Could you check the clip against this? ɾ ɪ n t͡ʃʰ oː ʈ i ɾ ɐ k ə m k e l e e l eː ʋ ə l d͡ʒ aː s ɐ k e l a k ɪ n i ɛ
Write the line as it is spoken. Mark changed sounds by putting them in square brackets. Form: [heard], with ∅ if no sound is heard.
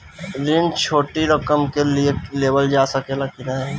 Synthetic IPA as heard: ɾ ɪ n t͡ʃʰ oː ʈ i ɾ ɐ k ə m k e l [i] e l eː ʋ ə l d͡ʒ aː s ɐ k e l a k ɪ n [a] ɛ